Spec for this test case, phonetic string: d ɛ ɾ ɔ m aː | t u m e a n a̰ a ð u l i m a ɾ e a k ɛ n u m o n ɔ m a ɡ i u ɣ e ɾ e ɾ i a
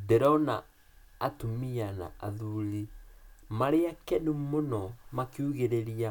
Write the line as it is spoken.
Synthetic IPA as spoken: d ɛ ɾ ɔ n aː | t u m i a n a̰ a ð u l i m a ɾ e a k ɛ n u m o n ɔ m a k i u ɣ e ɾ e ɾ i a